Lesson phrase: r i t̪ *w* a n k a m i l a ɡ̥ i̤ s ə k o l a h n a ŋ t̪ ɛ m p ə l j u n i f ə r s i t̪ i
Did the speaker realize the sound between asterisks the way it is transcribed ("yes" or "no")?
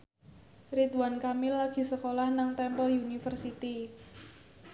yes